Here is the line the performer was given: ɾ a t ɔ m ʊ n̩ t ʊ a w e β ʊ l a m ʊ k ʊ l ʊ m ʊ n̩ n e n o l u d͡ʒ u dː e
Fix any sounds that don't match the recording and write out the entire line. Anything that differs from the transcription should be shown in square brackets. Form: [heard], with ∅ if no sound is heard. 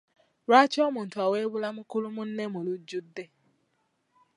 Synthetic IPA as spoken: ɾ a [t͡ʃ] ɔ m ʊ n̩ t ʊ a w e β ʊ l a m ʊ k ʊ l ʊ m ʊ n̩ n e [m] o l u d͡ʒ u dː e